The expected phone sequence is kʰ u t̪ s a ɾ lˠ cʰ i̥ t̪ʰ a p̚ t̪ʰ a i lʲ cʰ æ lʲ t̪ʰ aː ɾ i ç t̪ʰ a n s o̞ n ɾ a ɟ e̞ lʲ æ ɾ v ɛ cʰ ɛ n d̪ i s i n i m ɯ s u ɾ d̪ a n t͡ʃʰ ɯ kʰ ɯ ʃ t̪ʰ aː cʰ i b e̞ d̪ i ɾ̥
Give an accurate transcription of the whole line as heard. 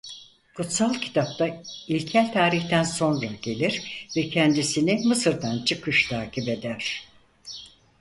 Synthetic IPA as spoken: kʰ u t̪ s a lˠ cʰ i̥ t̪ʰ a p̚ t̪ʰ a i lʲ cʰ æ lʲ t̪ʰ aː ɾ i ç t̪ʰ æ n s o̞ n ɾ a ɟ e̞ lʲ i ɾ v ɛ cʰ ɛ n d̪ i s i n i m ɯ s ɯ ɾ d̪ a n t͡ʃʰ ɯ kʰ ɯ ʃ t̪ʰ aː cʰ i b e̞ d̪ æ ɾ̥